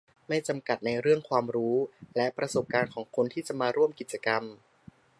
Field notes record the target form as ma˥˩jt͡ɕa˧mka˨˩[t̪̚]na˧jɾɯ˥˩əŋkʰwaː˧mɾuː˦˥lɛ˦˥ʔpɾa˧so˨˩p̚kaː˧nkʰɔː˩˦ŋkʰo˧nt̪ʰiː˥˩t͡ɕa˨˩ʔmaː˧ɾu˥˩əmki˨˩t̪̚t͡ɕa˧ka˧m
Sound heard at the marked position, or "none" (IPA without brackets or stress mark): t̪̚